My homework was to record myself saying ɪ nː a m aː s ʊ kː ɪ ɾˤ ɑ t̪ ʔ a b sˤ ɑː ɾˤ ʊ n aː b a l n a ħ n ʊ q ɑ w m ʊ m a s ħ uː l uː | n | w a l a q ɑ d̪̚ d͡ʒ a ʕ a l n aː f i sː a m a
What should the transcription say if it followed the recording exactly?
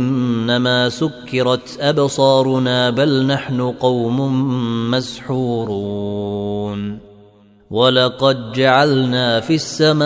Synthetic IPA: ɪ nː a m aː s ʊ kː ɪ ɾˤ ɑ t̪ ʔ a b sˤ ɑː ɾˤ ʊ n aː b a l n a ħ n ʊ q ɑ w m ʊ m a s ħ uː ɾ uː | n | w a l ɑ q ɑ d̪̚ d͡ʒ a ʕ a l n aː f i sː a m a